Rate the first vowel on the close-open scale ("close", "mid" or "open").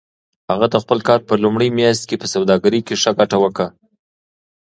open